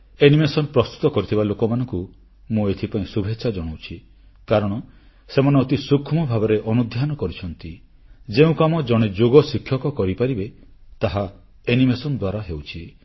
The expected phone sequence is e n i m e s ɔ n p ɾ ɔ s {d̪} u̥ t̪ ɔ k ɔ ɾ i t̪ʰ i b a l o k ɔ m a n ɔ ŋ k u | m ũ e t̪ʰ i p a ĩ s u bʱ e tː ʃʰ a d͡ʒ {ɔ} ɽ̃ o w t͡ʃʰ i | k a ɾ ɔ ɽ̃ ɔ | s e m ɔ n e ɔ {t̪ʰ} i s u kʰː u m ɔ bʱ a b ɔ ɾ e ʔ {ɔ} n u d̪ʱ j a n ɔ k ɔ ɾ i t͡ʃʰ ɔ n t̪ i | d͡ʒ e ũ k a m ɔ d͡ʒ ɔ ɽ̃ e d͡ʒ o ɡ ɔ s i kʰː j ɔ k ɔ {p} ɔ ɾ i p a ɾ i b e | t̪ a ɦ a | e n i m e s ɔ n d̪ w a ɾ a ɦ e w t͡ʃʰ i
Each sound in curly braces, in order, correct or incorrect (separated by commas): incorrect, correct, incorrect, correct, incorrect